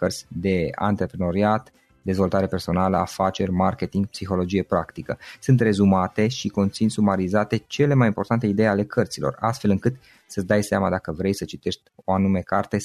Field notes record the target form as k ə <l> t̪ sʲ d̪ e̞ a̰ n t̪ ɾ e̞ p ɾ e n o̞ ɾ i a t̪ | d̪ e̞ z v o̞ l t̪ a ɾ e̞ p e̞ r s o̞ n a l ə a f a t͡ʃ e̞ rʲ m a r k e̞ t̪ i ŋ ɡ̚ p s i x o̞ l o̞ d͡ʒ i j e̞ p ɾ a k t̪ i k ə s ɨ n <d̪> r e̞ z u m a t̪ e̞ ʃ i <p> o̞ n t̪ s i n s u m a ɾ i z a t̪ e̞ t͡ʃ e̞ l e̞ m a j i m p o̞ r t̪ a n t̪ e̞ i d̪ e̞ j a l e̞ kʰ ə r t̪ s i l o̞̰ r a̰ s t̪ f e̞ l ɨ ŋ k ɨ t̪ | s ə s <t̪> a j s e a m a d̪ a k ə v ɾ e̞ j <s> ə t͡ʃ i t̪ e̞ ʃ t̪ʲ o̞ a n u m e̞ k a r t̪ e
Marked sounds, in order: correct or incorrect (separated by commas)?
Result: incorrect, incorrect, incorrect, incorrect, correct